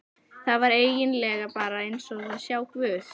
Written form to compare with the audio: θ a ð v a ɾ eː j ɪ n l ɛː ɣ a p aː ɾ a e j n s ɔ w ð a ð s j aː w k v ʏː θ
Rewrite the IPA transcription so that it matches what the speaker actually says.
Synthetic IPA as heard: θ a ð v a ɾ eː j ɪ n l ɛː ɣ a p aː ɾ a e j n s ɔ ɣ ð a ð s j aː w k v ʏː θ

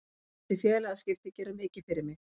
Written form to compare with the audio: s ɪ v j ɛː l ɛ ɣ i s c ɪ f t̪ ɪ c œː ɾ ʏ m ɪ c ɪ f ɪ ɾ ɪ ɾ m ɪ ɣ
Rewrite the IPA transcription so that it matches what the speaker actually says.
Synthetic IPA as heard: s ɪ f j ɛː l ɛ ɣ a s c ɪ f t̪ ɪ c ɛː ɾ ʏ m ɪː c ɪ f ɪ ɾ ɪ ɾ m ɪ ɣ

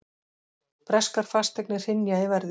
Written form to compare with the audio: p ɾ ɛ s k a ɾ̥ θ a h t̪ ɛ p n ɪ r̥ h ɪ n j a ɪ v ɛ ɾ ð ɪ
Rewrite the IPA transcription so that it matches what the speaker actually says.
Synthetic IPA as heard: p ɾ ɛ s k a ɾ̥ f a s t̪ ɛ k n ɪ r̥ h ɪ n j a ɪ v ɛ ɾ ð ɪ

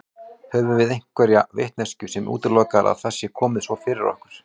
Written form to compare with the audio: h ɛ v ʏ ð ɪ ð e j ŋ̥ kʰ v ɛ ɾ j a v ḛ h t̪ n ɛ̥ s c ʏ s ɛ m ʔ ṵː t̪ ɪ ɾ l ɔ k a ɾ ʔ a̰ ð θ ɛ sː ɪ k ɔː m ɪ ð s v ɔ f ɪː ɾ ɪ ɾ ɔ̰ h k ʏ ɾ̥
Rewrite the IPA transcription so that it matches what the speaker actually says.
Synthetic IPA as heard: h ɛ v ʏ v ɪ ð e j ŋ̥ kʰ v ɛ ɾ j a v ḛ h t̪ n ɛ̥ s c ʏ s ɛ m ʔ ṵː t̪ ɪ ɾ l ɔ k a ɾ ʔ a̰ ð θ ɛ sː ɪ kʰ ɔː m ɪ ð s v ɔ f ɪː ɾ ɪ ɾ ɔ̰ h k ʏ ɾ̥

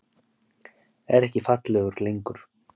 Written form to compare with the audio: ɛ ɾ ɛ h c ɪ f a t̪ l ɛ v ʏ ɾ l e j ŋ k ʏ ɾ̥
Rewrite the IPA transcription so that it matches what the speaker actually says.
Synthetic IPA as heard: ɛ ɾ ɛ h c ɪ f a t̪ l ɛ ɣ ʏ ɾ l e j ŋ k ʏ ɾ̥

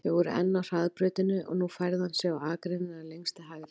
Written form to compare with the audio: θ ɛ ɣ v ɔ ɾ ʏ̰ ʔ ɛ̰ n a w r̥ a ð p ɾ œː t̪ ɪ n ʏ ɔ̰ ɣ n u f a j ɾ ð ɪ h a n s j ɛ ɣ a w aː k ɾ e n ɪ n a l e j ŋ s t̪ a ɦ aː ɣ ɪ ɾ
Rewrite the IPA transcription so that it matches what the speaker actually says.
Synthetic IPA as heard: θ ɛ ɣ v ɔ ɾ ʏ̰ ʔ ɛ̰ nː a w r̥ a ð p ɾ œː t̪ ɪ n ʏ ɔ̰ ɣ n u f a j ɾ ð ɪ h a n s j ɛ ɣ a w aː k ɾ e n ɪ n a l e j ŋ s t̪ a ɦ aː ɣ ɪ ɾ

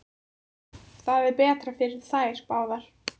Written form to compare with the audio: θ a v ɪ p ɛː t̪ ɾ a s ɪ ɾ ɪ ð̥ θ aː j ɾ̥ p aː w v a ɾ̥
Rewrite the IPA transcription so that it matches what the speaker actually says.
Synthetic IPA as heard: θ a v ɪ p ɛː t̪ ɾ a f ɪ ɾ ɪ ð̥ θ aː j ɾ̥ p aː w ð a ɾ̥

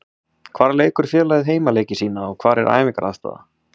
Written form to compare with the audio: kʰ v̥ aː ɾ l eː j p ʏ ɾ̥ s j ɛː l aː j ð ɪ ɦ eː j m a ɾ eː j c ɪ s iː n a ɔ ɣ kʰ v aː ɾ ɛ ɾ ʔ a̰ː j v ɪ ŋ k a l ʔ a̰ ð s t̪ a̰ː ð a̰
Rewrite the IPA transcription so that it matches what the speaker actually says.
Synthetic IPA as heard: kʰ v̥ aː ɾ l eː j k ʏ ɾ̥ f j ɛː l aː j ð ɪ ɦ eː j m a l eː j c ɪ s iː n a ɔ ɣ kʰ v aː ɾ ɛ ɾ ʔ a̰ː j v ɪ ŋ k a ɾ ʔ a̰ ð s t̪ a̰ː ð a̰

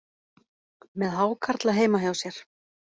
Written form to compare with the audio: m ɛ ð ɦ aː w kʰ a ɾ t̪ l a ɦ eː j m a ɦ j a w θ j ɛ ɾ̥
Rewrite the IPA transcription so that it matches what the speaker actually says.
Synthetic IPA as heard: m ɛ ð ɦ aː w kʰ a ɾ t̪ l a ɦ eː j m a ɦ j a w s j ɛ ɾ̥

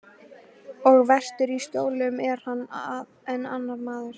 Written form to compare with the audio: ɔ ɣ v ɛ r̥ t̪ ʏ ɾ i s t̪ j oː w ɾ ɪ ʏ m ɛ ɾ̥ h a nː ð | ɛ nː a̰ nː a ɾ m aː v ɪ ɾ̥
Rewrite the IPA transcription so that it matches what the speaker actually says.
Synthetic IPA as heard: ɔ ɣ v ɛ r̥ t̪ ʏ ɾ i s t̪ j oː w l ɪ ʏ m ɛ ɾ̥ h a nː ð | ɛ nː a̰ nː a ɾ m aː ð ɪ ɾ̥

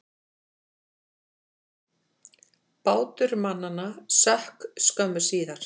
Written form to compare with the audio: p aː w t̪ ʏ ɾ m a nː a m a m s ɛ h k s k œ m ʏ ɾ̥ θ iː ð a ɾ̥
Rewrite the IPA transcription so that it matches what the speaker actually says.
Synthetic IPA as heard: p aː w t̪ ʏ ɾ m a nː a n a s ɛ h k s k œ m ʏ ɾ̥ s iː ð a ɾ̥

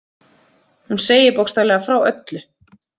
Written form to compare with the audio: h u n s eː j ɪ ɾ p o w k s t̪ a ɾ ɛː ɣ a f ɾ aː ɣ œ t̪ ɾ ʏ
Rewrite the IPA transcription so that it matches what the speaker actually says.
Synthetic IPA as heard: h u n s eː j ɪ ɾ p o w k s t̪ a l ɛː ɣ a f ɾ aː w œ t̪ l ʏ

